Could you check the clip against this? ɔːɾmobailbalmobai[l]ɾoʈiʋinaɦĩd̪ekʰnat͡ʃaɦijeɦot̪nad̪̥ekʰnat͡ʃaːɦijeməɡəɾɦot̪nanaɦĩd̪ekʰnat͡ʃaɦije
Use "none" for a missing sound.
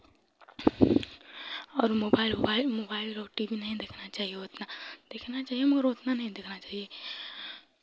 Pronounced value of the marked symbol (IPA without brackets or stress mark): l